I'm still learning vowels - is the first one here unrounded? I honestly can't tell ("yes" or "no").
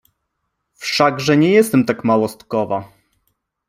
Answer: yes